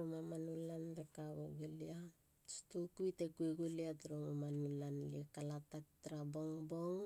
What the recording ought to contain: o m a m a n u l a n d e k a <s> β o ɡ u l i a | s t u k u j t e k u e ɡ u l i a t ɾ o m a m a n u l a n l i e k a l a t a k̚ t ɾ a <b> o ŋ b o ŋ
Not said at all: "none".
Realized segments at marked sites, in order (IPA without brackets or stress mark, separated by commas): none, b